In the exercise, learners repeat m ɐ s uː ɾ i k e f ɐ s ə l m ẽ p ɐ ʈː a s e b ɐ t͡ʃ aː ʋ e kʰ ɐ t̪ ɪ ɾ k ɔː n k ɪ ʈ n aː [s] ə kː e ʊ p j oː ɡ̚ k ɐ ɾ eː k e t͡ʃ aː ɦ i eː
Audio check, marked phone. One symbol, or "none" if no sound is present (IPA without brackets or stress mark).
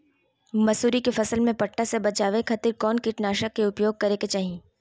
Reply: ʃ